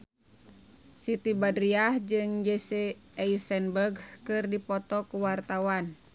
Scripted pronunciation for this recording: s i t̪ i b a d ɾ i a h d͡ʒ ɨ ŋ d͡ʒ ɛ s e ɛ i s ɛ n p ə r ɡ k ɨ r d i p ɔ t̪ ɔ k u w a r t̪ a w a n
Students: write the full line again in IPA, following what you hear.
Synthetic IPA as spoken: s i t̪ i b a d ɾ i a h d͡ʒ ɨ ŋ d͡ʒ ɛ s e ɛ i s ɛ n b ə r ɡ k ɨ r d i p ɔ t̪ ɔ k u w a r t̪ a w a n

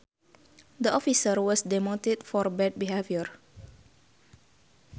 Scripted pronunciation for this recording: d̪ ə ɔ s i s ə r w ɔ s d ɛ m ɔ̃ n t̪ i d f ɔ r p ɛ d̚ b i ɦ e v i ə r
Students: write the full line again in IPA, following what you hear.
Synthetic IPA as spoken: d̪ ə ɔ f i s ə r w ɔ s d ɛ m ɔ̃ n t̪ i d f ɔ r b ɛ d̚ b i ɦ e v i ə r

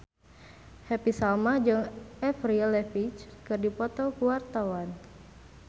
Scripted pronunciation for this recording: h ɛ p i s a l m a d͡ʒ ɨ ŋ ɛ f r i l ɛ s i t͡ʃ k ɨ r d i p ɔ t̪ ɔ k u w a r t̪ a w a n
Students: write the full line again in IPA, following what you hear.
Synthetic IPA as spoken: h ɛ p i s a l m a d͡ʒ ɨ ŋ ɛ f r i l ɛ f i t͡ʃ k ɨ r d i p ɔ t̪ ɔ k u w a r t̪ a w a n

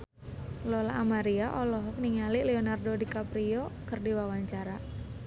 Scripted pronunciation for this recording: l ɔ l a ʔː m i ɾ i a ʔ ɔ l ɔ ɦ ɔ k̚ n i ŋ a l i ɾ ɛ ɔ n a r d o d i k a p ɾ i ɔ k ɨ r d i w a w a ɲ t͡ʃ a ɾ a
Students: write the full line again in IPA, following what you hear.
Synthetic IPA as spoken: l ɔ l a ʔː m a ɾ i a ʔ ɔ l ɔ ɦ ɔ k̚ n i ŋ a l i l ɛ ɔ n a r d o d i k a p ɾ i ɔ k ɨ r d i w a w a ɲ t͡ʃ a ɾ a

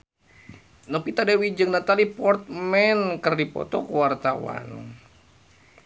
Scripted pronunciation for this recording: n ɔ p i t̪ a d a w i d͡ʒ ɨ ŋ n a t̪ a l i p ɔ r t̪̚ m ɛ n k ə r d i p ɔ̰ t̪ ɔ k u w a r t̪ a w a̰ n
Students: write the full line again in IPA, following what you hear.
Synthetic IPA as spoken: n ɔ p i t̪ a d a w i d͡ʒ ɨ ŋ n a t̪ a l i p ɔ r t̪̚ m ɛ n k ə r d i p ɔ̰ t̪ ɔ k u w a r t̪ a w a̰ n

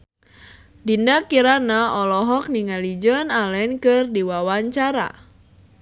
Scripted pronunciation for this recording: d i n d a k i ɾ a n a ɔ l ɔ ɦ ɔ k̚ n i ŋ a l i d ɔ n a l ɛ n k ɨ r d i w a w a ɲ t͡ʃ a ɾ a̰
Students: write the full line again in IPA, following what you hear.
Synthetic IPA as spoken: d i n d a k i ɾ a n a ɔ l ɔ ɦ ɔ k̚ n i ŋ a l i d͡ʒ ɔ n a l ɛ n k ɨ r d i w a w a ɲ t͡ʃ a ɾ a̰

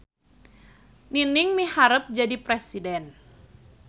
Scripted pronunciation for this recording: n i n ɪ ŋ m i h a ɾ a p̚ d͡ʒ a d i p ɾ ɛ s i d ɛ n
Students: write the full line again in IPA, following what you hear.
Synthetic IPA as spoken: n i n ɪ ŋ m i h a ɾ ə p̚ d͡ʒ a d i p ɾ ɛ s i d ɛ n

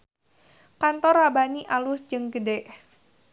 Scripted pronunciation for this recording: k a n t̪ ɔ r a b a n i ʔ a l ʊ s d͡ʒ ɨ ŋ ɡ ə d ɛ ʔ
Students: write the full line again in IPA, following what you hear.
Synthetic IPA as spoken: k a n t̪ ɔ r a b a n i ʔ a l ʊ s d͡ʒ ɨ ŋ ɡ ə d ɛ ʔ

